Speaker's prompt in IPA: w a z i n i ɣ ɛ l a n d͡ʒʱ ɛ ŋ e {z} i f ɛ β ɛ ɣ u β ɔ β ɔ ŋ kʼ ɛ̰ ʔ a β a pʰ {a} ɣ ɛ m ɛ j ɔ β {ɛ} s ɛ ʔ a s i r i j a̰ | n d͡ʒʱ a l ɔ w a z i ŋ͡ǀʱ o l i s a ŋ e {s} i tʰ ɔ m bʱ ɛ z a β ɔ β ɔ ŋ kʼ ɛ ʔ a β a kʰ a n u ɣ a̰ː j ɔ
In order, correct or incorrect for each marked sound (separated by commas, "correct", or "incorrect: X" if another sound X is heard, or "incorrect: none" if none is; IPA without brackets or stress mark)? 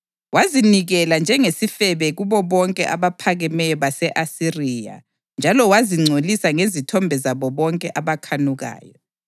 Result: incorrect: s, correct, incorrect: a, incorrect: z